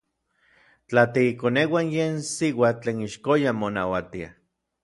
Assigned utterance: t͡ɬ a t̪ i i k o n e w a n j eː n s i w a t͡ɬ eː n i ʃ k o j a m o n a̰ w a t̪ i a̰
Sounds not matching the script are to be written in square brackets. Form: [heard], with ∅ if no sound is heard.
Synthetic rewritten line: t͡ɬ a t̪ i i k o n e w a n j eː n s i w a t͡ɬ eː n i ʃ k o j a m o n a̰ w a t̪ i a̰